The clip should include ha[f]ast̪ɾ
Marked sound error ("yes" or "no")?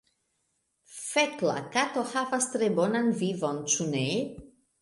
yes